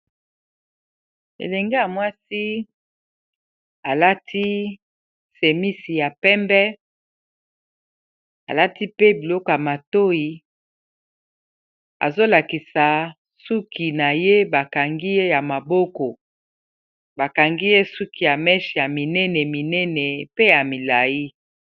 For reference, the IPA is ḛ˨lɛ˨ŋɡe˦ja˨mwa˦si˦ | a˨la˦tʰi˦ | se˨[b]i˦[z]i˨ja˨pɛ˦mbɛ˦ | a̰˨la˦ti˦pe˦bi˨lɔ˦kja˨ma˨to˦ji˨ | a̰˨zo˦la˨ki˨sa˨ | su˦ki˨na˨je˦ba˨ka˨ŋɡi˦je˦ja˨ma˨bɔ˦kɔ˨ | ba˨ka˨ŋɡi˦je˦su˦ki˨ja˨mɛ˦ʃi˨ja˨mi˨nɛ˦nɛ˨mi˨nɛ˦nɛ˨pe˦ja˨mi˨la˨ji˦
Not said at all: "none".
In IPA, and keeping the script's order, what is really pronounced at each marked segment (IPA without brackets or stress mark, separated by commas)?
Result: m, s